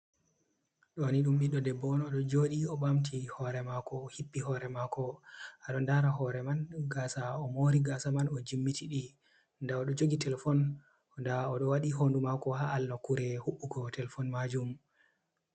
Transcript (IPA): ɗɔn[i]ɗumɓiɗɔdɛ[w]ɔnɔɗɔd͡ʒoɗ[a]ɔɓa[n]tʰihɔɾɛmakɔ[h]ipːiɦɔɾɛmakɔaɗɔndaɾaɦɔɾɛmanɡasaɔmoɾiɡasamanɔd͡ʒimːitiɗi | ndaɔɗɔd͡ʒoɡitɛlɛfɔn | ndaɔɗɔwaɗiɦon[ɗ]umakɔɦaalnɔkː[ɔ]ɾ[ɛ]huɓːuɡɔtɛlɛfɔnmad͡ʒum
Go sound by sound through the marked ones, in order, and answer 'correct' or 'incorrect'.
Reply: correct, incorrect, incorrect, incorrect, correct, incorrect, incorrect, correct

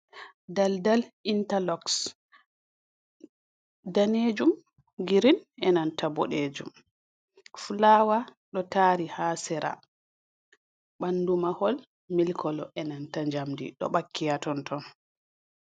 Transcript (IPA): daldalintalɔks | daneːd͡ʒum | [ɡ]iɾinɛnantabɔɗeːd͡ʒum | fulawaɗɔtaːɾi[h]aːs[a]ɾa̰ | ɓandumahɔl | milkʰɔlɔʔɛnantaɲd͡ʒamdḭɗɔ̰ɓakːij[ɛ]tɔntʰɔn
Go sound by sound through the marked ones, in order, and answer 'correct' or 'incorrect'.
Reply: correct, correct, incorrect, incorrect

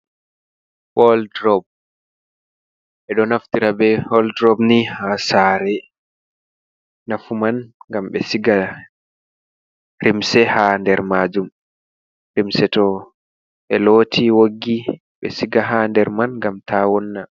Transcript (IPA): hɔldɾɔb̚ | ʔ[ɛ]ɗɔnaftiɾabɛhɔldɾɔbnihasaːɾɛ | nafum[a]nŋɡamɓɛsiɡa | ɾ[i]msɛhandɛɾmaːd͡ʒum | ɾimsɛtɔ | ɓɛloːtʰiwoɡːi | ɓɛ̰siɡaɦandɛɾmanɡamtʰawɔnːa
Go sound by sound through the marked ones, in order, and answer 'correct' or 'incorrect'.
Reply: correct, correct, correct

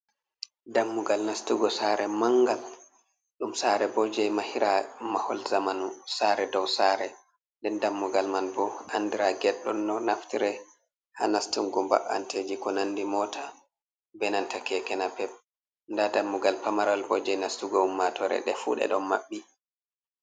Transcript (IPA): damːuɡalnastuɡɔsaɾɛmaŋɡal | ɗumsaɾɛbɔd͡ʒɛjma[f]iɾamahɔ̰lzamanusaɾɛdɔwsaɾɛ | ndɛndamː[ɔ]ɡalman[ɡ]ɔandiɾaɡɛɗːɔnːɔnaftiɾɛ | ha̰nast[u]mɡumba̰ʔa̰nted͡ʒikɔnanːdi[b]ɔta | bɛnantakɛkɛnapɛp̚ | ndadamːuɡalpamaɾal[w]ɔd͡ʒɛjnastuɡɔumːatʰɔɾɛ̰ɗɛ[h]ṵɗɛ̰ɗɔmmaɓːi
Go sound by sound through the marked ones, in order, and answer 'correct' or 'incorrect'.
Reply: incorrect, incorrect, incorrect, correct, incorrect, incorrect, incorrect

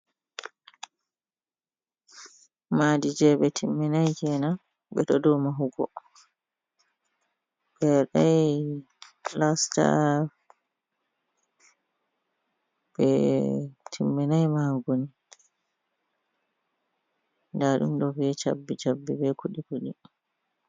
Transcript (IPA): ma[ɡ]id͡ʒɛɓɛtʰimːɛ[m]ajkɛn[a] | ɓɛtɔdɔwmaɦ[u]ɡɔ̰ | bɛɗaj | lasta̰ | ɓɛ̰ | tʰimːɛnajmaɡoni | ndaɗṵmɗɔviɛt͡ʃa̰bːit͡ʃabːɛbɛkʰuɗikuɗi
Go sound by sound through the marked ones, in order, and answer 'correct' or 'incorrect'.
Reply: incorrect, incorrect, correct, correct

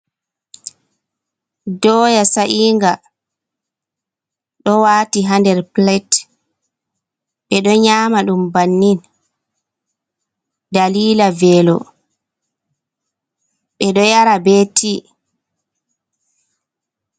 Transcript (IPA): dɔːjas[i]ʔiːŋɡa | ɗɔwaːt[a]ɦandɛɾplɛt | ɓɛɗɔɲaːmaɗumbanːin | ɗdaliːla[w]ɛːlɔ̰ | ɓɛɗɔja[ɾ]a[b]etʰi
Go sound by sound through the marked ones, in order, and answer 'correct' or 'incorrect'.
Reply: incorrect, incorrect, incorrect, correct, correct

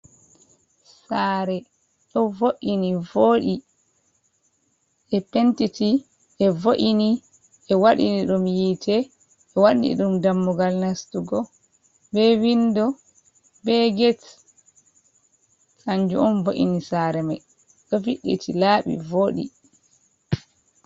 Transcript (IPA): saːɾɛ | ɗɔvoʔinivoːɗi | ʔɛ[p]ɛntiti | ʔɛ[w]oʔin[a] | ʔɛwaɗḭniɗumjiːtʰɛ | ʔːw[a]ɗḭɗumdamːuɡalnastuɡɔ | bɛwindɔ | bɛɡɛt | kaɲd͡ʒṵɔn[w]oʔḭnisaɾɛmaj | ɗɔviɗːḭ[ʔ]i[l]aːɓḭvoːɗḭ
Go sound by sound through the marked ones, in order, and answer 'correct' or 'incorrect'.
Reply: correct, incorrect, incorrect, correct, incorrect, incorrect, correct

